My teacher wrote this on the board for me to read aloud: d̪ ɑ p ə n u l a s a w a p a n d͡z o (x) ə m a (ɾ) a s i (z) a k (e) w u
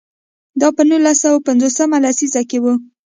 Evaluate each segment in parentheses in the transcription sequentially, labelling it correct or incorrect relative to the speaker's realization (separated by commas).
incorrect, incorrect, correct, correct